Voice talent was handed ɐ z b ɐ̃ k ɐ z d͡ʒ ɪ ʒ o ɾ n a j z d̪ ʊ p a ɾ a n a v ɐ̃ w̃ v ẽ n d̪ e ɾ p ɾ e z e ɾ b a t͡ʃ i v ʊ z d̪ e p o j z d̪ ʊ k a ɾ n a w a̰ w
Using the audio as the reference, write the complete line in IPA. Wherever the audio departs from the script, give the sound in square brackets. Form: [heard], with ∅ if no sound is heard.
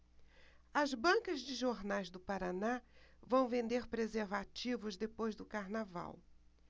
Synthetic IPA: ɐ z b ɐ̃ k ɐ z d͡ʒ ɪ ʒ o ɾ n a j z d̪ ʊ p a ɾ a n a v ɐ̃ w̃ v ẽ n d̪ e ɾ p ɾ e z e ɾ [v] a t͡ʃ i v ʊ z d̪ e p o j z d̪ ʊ k a ɾ n a [v] a̰ w